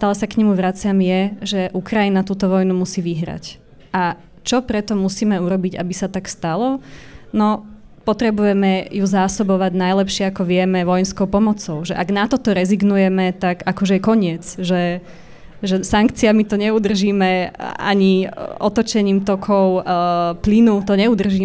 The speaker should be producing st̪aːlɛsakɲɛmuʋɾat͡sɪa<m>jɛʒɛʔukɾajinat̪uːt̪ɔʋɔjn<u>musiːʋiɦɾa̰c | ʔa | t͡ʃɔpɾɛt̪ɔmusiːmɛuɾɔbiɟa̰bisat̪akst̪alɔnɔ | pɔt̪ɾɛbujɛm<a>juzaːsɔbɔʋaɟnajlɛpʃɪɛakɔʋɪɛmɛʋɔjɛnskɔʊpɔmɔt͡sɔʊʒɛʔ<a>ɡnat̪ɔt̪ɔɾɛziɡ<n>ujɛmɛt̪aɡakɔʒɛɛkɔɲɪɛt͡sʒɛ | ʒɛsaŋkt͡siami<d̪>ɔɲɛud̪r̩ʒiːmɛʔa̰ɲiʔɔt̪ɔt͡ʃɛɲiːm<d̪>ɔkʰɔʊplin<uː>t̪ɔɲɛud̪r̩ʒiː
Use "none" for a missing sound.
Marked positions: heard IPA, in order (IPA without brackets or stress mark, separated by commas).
m, u, ɛ, a, n, t̪, t̪, u